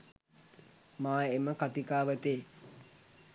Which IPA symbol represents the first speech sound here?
m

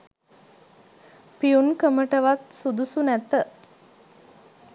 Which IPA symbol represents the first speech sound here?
p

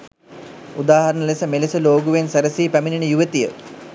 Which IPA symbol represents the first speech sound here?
u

